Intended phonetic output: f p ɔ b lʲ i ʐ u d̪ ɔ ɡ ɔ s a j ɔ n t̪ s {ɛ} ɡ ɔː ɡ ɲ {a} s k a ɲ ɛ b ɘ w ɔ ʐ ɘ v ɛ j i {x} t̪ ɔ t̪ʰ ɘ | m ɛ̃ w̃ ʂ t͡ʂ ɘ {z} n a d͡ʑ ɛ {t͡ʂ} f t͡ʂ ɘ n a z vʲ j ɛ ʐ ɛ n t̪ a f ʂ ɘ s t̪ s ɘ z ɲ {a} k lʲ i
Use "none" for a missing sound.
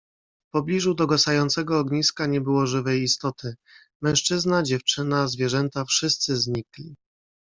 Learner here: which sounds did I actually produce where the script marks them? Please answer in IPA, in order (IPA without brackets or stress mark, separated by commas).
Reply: ɛ, i, s, z, none, i